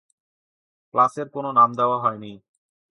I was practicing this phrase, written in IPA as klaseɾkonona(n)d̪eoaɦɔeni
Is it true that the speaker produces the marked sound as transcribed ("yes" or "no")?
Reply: no